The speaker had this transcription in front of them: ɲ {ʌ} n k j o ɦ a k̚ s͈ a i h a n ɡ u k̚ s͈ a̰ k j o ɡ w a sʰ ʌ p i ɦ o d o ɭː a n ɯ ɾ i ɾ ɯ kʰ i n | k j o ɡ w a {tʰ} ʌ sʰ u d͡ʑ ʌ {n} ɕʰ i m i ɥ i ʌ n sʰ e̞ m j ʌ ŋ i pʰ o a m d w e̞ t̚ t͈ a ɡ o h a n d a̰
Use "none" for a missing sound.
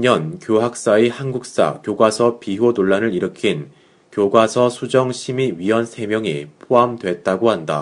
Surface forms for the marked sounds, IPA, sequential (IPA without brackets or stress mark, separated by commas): ʌ, sʰ, ŋ